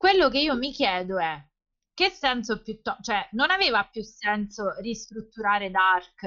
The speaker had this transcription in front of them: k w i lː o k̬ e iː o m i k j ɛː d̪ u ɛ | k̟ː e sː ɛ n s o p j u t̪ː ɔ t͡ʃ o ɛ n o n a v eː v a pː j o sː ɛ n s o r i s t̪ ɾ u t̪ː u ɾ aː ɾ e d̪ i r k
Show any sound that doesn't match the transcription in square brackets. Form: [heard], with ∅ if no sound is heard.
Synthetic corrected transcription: k w [e] lː o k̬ e iː o m i k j ɛː d̪ [o] ɛ | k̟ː e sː ɛ n s o p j u t̪ː ɔ t͡ʃ o ɛ n o n a v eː v a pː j [u] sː ɛ n s o r i s t̪ ɾ u t̪ː u ɾ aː ɾ e d̪ [a] r k